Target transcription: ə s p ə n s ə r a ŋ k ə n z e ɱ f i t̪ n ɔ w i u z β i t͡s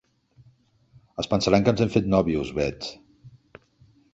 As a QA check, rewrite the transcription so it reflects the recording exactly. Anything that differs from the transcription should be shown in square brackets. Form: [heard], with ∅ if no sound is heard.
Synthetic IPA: ə s p ə n s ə [ɾ] a ŋ k ə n z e ɱ f [e] t̪ n ɔ [β] i u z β [ɛ] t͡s